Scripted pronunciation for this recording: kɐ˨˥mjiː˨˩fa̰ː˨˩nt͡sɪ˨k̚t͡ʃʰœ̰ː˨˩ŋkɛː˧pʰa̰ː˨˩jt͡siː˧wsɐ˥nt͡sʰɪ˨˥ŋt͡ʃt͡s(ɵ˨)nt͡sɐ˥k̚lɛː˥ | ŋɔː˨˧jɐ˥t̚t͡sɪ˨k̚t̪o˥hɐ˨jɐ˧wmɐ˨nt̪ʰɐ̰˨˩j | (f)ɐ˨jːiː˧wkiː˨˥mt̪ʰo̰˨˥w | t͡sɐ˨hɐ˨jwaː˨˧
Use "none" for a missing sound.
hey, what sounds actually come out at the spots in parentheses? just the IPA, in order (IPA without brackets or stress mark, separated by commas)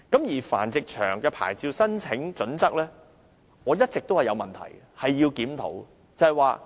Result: ɵ˨˥, h